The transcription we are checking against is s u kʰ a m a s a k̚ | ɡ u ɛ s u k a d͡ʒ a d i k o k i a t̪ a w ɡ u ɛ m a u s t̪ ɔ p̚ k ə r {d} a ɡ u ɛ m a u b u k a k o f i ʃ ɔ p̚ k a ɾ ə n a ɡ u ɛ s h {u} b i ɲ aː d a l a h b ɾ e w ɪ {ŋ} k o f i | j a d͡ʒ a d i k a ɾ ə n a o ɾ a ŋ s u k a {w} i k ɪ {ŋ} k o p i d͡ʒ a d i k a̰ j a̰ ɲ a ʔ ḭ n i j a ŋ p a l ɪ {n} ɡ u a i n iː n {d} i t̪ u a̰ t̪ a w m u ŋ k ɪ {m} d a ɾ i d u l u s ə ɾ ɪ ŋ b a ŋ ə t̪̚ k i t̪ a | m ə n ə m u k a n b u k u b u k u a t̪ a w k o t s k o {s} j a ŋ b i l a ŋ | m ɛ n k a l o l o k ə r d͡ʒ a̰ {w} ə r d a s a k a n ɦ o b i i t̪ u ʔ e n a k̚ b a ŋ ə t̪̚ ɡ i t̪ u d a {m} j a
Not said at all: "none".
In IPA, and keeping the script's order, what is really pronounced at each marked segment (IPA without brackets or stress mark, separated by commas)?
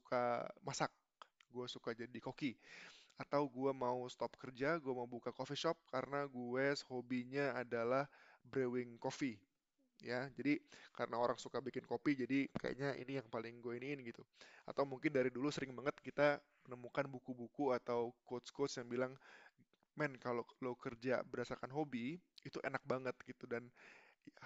d͡ʒ, o, ŋ, b, n, ŋ, ɡ, n, s, b, n